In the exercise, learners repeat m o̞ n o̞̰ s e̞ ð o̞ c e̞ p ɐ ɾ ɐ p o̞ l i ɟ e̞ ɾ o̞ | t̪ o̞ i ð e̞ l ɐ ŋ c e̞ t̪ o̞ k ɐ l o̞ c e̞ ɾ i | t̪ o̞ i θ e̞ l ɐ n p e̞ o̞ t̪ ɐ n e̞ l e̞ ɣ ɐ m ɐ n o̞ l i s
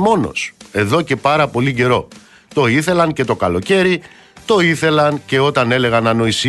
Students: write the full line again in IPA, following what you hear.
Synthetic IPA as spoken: m o̞ n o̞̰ s e̞ ð o̞ c e̞ p ɐ ɾ ɐ p o̞ l i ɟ e̞ ɾ o̞ | t̪ o̞ i θ e̞ l ɐ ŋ c e̞ t̪ o̞ k ɐ l o̞ c e̞ ɾ i | t̪ o̞ i θ e̞ l ɐ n c e̞ o̞ t̪ ɐ n e̞ l e̞ ɣ ɐ n ɐ n o̞ i s